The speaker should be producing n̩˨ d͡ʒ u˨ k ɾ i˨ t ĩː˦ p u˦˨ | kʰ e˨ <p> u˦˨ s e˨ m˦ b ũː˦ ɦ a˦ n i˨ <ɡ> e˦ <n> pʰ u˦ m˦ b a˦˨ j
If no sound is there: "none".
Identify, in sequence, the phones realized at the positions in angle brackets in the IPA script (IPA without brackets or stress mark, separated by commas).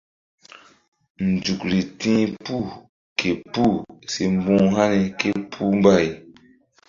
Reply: p, k, none